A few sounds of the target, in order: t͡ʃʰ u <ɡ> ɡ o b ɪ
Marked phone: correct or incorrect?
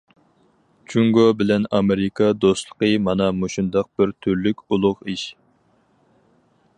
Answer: incorrect